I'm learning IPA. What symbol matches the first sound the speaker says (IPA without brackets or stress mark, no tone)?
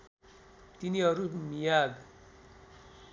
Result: t̪